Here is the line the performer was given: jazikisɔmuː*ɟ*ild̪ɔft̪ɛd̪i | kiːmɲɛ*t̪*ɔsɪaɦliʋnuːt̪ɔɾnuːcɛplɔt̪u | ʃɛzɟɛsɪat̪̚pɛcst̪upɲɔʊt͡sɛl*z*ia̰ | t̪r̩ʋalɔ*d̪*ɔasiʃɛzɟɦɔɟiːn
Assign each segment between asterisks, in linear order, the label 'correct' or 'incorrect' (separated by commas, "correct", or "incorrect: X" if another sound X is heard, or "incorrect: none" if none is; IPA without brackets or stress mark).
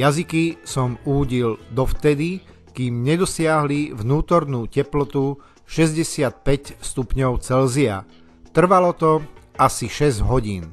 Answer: correct, incorrect: d̪, correct, incorrect: t̪